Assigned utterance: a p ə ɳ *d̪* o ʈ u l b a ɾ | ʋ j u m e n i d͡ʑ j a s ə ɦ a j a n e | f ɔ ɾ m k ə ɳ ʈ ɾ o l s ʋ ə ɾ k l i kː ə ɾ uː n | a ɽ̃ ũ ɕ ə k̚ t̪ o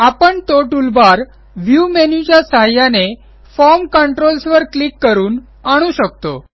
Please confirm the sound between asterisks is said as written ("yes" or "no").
no